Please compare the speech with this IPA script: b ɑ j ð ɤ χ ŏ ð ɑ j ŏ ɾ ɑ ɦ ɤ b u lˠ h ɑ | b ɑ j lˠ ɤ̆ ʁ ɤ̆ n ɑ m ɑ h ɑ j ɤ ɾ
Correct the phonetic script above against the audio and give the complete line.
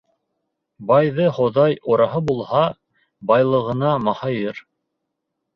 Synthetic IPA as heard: b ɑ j ð ɤ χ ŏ ð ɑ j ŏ ɾ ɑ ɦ ɤ b u lˠ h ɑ | b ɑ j lˠ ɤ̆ ʁ ɤ̆ n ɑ m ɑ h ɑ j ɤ ɾ